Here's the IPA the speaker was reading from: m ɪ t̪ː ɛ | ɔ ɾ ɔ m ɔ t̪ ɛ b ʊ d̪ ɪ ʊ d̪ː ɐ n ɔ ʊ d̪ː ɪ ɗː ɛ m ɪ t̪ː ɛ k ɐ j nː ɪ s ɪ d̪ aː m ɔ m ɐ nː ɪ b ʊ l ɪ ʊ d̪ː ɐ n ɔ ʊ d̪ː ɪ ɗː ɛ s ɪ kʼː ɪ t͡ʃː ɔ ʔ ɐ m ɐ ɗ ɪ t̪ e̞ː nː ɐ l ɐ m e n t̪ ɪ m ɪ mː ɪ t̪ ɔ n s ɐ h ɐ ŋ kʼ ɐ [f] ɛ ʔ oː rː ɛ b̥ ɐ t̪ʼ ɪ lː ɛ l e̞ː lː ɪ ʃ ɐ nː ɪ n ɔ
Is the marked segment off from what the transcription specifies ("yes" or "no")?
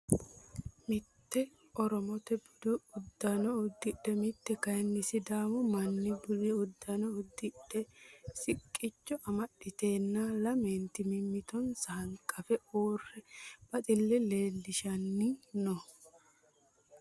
no